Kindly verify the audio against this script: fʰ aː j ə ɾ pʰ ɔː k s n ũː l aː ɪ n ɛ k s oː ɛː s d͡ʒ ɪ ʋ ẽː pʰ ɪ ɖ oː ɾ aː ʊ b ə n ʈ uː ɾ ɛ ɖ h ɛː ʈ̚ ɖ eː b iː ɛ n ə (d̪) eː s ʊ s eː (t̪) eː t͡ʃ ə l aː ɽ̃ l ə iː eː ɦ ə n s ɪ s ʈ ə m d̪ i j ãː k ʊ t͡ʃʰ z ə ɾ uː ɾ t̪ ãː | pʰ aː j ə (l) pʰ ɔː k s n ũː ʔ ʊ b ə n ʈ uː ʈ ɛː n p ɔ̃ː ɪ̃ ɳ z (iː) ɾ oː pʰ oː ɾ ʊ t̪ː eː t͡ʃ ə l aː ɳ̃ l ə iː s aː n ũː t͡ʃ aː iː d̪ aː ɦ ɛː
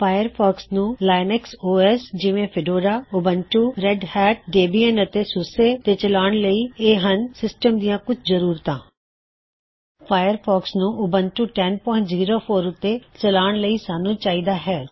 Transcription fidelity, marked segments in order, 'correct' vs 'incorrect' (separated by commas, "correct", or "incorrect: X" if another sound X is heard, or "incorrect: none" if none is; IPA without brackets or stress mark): incorrect: t̪, correct, incorrect: ɾ, correct